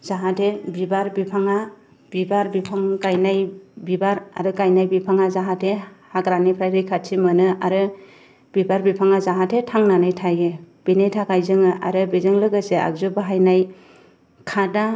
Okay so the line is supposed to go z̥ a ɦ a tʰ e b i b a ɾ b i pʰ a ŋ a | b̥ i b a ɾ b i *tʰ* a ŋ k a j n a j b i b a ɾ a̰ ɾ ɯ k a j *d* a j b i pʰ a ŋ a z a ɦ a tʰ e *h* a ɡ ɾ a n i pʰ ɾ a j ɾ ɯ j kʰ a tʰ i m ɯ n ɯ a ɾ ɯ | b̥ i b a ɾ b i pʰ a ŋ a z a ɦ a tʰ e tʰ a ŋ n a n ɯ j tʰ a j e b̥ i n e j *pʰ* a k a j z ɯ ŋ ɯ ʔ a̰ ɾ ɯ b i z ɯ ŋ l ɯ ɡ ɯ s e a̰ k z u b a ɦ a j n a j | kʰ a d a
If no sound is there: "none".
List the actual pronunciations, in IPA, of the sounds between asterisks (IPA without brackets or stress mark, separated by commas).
pʰ, n, h, tʰ